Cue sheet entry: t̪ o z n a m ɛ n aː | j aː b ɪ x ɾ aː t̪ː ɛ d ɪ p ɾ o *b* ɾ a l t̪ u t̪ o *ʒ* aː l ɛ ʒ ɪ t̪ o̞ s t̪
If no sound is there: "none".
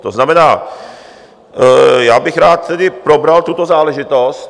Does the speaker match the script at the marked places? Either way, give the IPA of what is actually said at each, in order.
b, z

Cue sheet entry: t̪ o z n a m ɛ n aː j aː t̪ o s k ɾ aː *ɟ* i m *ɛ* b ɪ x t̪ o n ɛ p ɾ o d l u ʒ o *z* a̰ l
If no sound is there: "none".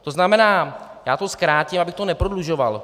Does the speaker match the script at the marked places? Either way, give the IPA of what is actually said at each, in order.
c, a, v

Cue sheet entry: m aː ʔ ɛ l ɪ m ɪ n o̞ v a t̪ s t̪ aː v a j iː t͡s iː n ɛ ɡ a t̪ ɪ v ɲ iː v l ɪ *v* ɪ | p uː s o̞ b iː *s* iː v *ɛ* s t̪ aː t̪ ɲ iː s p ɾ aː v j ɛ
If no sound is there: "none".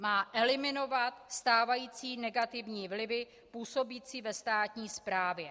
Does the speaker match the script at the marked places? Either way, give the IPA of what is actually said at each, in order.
v, t͡s, ɛ

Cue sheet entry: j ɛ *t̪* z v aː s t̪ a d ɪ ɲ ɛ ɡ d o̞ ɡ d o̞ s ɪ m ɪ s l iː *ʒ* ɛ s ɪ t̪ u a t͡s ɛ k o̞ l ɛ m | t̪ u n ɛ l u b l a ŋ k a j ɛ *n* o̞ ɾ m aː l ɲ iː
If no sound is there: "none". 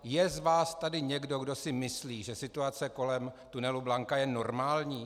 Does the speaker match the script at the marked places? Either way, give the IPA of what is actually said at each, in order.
none, ʒ, n

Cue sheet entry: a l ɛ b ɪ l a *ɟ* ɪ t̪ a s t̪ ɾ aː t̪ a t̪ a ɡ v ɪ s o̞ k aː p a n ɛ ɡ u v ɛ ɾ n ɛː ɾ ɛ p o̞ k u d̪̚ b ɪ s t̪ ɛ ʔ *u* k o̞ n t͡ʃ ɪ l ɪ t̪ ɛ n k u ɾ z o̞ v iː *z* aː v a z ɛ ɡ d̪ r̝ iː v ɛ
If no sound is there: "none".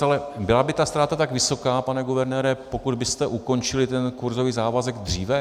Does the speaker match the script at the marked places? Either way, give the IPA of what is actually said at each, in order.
b, u, z

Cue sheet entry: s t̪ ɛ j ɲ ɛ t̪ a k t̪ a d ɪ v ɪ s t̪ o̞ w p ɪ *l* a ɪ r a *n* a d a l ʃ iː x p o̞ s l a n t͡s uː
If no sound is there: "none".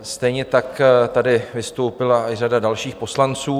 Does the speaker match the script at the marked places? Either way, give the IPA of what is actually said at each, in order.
l, d

